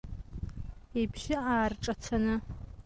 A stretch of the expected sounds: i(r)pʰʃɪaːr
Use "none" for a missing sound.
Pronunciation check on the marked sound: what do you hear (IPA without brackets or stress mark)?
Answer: none